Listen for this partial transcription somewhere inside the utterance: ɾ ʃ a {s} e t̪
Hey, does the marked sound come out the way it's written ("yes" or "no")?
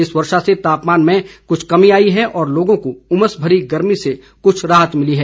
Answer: yes